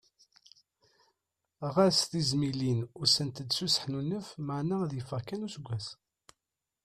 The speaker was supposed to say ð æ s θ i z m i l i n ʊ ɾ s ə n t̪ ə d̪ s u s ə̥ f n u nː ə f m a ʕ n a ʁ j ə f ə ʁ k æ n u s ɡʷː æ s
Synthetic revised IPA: ʁ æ s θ i z m i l i n ʊ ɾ s ə n t̪ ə d̪ s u s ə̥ ħ n u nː ə f m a ʕ n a ð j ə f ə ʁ k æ n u s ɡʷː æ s